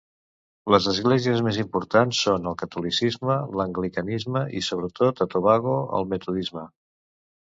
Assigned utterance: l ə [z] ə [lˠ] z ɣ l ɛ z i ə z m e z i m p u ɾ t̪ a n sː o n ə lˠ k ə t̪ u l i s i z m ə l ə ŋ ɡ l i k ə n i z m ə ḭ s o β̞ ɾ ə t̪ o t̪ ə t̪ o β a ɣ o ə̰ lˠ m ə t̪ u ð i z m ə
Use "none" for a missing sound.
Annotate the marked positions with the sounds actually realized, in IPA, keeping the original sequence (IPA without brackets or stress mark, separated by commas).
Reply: z, none